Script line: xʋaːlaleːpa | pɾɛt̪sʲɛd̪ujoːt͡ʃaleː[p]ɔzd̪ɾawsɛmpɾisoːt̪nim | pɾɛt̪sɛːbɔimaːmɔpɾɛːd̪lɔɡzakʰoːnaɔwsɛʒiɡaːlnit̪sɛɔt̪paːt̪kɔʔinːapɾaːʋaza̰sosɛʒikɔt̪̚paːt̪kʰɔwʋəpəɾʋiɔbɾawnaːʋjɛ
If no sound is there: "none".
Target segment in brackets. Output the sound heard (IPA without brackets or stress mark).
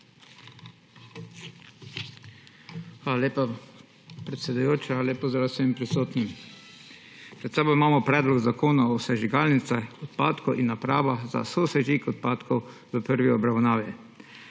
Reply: p